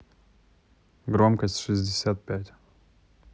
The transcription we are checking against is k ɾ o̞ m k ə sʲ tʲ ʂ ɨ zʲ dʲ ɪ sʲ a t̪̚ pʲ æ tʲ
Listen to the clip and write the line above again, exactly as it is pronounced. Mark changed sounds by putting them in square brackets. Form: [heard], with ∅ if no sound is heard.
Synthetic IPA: [ɡ] ɾ o̞ m k ə sʲ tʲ ʂ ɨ zʲ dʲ ɪ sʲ a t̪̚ pʲ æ tʲ